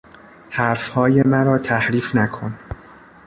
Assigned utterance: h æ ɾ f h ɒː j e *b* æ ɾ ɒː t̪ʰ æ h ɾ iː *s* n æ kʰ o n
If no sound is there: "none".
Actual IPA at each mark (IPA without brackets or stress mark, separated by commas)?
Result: m, f